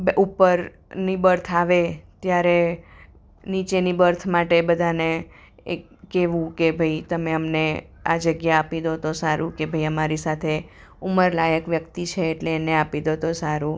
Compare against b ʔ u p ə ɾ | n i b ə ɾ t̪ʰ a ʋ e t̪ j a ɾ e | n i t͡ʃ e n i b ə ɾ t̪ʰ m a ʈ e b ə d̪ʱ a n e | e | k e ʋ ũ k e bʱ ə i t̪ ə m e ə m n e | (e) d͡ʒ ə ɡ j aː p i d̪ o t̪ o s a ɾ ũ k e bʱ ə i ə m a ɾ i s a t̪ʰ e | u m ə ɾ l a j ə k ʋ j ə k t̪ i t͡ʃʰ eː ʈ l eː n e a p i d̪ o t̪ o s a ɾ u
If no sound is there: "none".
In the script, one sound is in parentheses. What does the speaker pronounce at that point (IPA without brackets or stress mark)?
a